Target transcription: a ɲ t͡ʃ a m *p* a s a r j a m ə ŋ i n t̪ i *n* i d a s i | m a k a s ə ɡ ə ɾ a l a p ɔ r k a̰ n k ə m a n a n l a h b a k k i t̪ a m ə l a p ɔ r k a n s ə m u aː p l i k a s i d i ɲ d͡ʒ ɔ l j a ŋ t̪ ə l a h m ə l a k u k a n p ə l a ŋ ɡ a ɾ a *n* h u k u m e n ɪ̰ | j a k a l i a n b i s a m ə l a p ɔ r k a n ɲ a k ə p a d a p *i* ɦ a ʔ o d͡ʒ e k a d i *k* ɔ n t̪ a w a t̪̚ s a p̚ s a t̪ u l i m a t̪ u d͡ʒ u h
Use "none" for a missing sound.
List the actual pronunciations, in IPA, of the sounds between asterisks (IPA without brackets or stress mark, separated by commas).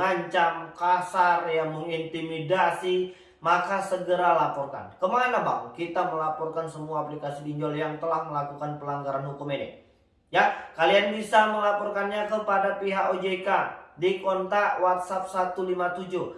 k, m, n, i, k